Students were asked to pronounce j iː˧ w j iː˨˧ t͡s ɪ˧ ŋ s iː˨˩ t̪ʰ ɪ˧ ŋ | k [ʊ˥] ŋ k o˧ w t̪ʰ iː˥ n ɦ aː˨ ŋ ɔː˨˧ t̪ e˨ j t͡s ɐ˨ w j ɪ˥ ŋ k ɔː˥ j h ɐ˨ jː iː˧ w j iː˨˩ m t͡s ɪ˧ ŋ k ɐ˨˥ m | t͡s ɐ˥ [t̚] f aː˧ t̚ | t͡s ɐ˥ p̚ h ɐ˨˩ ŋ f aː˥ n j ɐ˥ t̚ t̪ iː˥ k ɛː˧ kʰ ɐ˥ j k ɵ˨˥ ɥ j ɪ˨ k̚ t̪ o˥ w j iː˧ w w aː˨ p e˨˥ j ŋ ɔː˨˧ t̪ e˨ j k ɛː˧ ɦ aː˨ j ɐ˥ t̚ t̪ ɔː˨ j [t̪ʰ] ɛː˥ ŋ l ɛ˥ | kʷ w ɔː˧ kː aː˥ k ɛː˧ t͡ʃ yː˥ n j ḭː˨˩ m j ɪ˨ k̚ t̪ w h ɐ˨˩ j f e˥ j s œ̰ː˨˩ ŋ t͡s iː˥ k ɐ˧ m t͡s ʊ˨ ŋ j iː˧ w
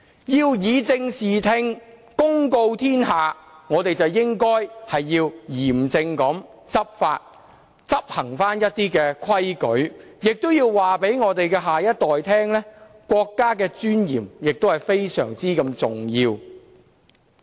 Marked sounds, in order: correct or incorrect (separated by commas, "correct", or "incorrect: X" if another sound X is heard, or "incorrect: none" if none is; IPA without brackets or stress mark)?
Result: correct, incorrect: p̚, correct